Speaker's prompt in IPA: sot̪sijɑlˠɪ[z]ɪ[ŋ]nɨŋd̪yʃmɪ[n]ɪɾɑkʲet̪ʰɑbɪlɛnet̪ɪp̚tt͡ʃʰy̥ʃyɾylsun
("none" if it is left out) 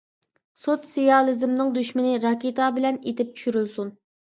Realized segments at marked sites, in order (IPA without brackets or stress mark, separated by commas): z, m, n